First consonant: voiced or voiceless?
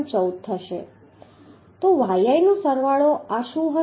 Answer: voiceless